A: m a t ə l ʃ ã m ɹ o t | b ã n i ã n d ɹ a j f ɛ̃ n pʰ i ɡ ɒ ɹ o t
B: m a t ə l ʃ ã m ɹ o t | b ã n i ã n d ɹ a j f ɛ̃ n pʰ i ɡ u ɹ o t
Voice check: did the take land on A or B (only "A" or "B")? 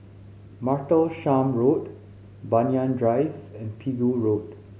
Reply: B